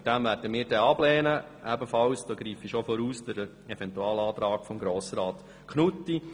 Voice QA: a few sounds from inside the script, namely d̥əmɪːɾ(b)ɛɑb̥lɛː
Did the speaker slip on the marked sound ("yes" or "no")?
yes